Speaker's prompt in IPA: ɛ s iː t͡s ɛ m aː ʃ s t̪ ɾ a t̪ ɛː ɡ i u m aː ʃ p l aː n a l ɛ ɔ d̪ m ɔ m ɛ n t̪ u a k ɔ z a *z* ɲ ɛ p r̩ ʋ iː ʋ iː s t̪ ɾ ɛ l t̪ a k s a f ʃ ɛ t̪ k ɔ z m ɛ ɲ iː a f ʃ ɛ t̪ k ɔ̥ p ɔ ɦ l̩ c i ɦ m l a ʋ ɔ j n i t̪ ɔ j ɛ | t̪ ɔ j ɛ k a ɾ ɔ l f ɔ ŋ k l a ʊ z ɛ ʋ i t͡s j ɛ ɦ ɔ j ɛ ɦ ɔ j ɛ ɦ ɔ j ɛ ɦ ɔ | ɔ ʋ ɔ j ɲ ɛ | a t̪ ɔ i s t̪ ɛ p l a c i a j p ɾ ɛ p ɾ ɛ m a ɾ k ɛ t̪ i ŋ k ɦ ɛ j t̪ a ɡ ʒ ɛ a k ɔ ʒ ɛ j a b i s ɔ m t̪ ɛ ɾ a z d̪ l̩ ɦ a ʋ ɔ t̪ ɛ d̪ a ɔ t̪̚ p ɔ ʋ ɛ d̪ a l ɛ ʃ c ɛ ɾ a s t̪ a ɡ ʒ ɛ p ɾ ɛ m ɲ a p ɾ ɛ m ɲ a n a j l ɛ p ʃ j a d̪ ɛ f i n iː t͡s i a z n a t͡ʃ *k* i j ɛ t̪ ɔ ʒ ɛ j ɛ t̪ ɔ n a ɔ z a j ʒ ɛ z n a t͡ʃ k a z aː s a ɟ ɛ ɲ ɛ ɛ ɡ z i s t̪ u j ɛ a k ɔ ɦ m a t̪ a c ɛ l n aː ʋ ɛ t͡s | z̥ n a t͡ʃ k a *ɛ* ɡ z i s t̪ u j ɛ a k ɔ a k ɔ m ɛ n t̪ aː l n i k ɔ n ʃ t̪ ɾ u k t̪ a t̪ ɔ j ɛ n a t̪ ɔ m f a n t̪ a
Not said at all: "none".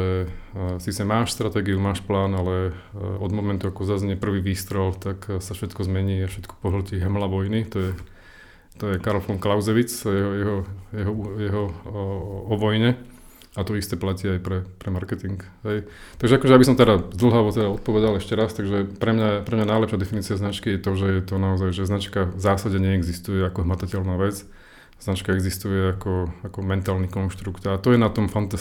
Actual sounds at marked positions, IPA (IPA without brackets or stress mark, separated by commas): z, k, ɛ